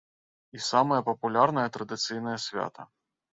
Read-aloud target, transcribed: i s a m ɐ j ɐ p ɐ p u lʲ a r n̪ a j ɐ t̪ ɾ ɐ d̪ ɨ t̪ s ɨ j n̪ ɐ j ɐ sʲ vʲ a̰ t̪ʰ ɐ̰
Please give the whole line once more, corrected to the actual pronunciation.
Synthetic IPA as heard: i s a m ɐ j ɐ p ɐ p u lʲ a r n̪ ɐ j ɐ t̪ ɾ ɐ d̪ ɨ t̪ s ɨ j n̪ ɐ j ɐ sʲ vʲ a̰ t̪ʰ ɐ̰